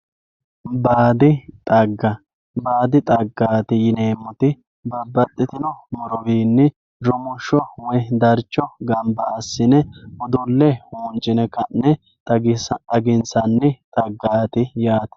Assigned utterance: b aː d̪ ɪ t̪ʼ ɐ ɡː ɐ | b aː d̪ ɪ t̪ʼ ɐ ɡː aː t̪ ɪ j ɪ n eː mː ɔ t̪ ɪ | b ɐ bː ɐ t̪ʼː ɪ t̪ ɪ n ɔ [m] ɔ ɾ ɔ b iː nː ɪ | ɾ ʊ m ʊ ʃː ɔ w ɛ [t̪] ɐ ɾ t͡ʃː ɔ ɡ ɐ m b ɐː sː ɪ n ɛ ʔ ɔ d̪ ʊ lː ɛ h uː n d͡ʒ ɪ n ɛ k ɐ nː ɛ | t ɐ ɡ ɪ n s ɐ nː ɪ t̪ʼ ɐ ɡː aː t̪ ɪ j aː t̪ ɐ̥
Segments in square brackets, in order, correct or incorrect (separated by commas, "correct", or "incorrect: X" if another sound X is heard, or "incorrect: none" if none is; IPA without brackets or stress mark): correct, incorrect: d̪